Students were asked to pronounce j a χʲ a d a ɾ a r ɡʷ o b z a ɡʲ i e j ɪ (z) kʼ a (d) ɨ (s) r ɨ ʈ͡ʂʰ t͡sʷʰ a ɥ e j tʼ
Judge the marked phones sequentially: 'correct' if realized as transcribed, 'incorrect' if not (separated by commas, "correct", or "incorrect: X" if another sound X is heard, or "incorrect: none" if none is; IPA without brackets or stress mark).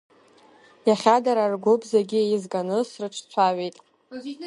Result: correct, incorrect: n, correct